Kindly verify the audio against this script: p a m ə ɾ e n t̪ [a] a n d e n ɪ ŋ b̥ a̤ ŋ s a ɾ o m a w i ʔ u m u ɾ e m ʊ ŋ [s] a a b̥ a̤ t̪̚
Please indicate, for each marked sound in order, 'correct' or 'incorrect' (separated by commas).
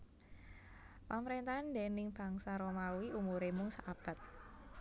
correct, correct